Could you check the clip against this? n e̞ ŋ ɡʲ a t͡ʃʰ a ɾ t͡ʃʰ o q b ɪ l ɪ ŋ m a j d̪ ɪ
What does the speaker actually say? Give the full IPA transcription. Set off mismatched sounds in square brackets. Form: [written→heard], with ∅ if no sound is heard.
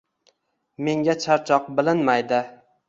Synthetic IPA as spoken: [n→m] e̞ ŋ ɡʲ a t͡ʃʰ a ɾ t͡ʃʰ [o→ɒ] q b ɪ l ɪ [ŋ→n] m a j d̪ ɪ